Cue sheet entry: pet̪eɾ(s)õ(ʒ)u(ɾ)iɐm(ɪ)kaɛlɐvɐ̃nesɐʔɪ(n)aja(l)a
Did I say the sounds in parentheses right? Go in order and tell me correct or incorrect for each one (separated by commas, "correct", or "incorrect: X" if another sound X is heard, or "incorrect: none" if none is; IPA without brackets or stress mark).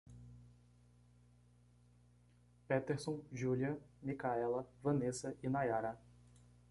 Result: correct, correct, incorrect: l, incorrect: i, correct, incorrect: ɾ